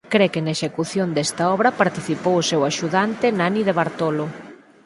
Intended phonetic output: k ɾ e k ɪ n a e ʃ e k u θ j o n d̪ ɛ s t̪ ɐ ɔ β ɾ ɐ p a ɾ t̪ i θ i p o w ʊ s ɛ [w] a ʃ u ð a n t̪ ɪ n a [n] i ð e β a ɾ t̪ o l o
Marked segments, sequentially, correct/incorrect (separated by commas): correct, correct